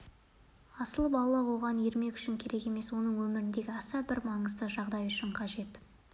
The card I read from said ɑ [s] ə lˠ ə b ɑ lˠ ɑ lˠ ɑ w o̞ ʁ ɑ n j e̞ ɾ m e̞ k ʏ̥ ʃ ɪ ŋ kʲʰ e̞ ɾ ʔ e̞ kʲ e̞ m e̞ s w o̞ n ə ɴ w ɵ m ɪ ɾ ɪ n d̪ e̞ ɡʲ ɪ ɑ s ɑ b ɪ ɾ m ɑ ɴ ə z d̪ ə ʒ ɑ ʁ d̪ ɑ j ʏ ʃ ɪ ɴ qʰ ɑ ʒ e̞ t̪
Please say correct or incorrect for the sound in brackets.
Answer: correct